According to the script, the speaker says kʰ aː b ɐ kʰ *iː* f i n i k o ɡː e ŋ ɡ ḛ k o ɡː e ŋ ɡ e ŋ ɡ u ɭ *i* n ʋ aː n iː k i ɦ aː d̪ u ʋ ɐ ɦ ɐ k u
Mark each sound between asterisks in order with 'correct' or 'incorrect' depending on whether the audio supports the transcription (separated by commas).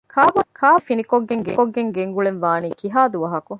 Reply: incorrect, incorrect